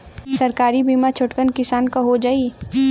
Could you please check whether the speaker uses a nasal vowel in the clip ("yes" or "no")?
no